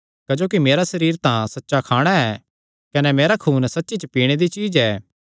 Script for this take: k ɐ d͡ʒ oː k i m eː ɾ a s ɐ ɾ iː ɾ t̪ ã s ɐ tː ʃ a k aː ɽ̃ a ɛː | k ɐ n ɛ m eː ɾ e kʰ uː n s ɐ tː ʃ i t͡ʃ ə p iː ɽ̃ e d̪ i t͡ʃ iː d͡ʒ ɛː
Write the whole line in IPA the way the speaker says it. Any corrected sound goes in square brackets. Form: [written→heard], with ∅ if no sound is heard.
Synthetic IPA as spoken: k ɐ d͡ʒ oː k i m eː ɾ a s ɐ ɾ iː ɾ t̪ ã s ɐ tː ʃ a [k→kʰ] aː ɽ̃ a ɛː | k ɐ n ɛ m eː ɾ [e→a] kʰ uː n s ɐ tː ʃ i t͡ʃ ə p iː ɽ̃ e d̪ i t͡ʃ iː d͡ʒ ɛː

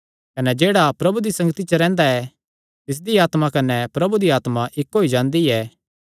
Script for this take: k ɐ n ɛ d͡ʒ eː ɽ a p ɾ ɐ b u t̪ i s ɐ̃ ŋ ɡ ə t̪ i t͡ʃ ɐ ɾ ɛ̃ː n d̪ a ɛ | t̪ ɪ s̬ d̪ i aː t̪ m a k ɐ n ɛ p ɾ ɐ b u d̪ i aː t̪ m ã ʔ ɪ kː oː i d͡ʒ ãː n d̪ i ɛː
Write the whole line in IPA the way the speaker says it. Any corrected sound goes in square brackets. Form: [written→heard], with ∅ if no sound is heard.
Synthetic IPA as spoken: k ɐ n ɛ d͡ʒ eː ɽ a p ɾ ɐ b u [t̪→d̪] i s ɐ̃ ŋ ɡ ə t̪ i t͡ʃ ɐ ɾ ɛ̃ː n d̪ a ɛ | t̪ ɪ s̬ d̪ i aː t̪ m a k ɐ n ɛ p ɾ ɐ b u d̪ i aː t̪ m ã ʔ ɪ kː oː i d͡ʒ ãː n d̪ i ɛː

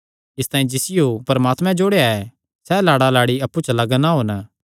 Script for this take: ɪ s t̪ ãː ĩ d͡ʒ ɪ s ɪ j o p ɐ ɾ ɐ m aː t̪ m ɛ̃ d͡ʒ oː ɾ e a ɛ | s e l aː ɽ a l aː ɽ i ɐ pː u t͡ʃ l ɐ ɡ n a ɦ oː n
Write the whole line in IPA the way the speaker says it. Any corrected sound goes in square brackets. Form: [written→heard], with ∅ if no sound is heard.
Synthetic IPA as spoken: ɪ s t̪ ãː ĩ d͡ʒ ɪ s ɪ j o p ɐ ɾ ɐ m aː t̪ m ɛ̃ d͡ʒ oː [ɾ→ɽ] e a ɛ | s [e→ɛ] l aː ɽ a l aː ɽ i ɐ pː u t͡ʃ l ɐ ɡ n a ɦ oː n

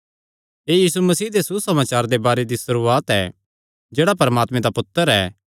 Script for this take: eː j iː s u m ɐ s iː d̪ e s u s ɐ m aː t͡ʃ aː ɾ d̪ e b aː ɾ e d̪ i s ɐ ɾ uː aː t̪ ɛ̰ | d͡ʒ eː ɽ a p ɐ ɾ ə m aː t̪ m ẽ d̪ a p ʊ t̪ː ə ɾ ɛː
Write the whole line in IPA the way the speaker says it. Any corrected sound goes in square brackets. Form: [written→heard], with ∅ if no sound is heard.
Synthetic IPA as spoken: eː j iː s u m ɐ s iː d̪ e s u s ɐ m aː t͡ʃ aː ɾ d̪ e b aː ɾ e d̪ i s ɐ ɾ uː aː t̪ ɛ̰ | d͡ʒ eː ɽ a p ɐ ɾ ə m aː t̪ m ẽ d̪ a p ʊ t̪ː ə ɾ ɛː

